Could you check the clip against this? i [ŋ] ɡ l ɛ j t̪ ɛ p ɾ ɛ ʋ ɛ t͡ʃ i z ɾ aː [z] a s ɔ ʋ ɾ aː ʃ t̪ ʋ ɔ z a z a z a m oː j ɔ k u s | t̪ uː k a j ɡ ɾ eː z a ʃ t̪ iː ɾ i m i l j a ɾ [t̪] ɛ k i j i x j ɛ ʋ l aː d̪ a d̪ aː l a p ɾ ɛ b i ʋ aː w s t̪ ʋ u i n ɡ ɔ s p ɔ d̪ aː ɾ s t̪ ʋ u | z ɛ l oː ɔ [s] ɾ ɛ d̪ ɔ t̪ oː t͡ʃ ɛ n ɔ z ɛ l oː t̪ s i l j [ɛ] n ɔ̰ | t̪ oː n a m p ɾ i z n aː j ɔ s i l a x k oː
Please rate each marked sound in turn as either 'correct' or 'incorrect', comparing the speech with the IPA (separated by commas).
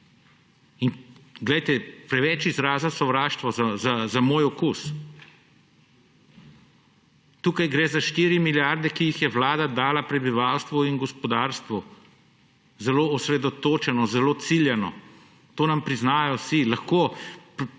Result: incorrect, correct, incorrect, correct, correct